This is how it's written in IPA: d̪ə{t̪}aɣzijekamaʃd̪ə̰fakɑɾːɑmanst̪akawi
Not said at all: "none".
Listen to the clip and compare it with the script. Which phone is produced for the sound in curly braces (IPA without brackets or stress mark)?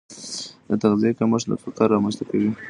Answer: t̪